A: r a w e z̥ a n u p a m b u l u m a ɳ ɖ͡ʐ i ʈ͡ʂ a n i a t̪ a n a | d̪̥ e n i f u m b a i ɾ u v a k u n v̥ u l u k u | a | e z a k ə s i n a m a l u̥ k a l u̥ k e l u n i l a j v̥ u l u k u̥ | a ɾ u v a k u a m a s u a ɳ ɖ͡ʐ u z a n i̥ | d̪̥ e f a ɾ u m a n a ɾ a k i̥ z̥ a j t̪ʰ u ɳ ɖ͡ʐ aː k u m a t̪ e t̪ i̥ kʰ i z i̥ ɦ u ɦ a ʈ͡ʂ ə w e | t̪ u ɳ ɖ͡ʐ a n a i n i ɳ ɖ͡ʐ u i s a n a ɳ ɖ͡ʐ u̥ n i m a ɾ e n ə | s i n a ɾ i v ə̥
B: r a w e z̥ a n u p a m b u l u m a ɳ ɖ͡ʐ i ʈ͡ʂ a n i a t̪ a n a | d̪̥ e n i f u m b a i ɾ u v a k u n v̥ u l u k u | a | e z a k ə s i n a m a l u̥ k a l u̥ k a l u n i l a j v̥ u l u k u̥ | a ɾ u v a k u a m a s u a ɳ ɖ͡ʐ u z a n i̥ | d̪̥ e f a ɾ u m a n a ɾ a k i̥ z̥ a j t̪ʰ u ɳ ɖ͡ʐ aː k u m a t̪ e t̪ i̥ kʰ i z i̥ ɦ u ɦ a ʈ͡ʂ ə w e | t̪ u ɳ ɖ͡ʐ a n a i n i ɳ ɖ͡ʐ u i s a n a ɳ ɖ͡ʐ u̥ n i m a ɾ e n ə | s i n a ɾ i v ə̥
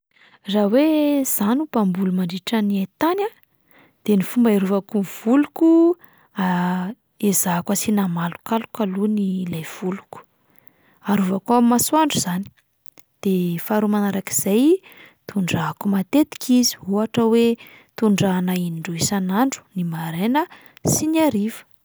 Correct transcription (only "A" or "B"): B